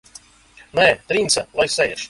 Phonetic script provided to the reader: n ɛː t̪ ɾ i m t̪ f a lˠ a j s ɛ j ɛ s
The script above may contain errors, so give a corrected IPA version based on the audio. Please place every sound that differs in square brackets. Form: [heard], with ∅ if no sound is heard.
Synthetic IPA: n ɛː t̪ ɾ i [n] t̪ [s] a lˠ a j s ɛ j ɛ [ʃ]